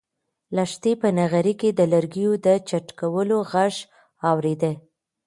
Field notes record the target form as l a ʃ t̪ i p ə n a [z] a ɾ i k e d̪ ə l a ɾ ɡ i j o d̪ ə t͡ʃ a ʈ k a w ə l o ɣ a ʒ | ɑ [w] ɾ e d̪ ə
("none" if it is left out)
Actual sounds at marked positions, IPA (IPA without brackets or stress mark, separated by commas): ɣ, w